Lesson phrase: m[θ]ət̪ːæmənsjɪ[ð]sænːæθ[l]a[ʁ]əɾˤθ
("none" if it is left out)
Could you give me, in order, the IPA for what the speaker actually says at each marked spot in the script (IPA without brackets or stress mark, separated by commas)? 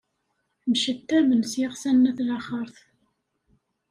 ʃ, ʁ, l, χ